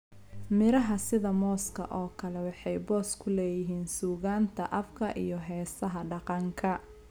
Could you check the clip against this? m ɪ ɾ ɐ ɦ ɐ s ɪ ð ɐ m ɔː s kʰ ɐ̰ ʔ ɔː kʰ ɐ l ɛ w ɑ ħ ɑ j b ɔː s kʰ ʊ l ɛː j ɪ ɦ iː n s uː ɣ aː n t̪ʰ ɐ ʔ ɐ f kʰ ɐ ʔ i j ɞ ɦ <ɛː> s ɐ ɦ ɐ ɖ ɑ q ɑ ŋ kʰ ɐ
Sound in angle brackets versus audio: correct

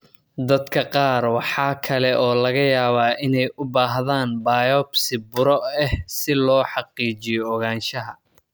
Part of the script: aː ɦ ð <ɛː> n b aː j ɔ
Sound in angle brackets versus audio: incorrect: aː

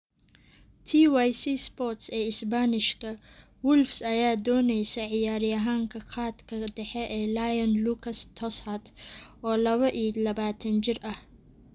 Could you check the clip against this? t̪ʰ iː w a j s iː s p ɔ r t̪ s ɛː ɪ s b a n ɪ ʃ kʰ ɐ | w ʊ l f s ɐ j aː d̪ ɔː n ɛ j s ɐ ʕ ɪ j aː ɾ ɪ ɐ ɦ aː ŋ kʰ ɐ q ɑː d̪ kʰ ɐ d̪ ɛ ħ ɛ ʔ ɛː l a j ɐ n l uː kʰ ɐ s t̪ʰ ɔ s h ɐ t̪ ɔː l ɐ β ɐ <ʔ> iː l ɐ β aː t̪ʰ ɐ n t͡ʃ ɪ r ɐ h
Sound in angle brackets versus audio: correct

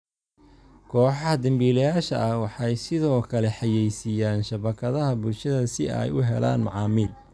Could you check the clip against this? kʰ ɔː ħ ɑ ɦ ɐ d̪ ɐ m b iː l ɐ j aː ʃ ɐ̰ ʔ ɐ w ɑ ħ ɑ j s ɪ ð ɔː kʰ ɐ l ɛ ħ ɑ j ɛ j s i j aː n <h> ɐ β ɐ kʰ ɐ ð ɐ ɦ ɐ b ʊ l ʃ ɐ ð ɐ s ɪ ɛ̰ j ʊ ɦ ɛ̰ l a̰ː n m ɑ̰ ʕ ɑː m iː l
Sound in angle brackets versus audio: incorrect: ʃ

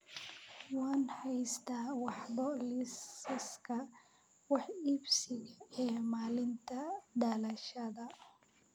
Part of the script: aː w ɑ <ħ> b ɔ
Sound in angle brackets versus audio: correct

